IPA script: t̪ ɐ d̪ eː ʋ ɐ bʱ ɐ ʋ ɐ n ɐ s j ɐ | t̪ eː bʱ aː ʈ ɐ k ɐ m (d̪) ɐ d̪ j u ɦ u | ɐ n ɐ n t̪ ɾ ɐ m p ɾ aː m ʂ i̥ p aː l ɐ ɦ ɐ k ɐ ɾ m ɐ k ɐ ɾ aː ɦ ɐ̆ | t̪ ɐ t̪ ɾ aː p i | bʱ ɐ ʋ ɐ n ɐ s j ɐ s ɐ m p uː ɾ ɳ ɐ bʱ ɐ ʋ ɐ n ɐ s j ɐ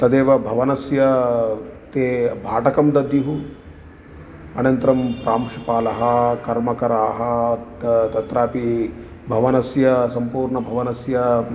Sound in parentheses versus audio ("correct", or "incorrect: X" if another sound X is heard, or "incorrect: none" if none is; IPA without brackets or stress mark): correct